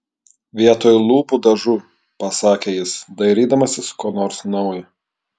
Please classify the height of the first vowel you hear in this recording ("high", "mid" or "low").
high